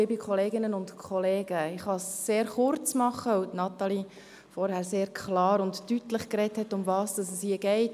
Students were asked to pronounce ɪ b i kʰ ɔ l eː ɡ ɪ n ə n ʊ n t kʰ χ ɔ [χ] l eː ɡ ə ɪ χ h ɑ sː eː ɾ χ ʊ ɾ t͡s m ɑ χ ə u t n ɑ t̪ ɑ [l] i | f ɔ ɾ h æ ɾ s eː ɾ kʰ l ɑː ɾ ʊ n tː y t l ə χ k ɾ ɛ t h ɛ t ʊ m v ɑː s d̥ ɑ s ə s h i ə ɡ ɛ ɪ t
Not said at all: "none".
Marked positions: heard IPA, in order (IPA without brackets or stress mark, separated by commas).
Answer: none, l